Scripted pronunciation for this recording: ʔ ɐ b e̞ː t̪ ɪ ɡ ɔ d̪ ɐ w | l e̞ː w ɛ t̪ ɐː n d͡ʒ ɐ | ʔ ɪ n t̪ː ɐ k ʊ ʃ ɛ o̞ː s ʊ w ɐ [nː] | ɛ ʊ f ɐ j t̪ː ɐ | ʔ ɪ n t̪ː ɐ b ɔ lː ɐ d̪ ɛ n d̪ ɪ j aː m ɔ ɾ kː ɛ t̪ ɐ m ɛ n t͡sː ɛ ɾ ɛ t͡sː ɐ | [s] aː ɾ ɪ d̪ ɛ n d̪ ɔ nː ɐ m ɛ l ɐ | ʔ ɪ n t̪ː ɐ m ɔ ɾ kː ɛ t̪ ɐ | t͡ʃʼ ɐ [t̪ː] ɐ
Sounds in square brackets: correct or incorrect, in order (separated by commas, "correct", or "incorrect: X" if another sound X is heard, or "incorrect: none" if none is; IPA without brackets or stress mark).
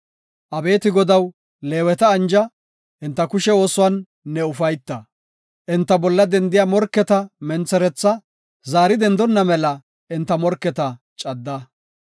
correct, incorrect: z, incorrect: d̪ː